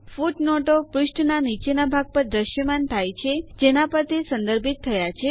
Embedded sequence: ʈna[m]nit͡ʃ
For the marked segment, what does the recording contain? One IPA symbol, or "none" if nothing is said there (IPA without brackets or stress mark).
none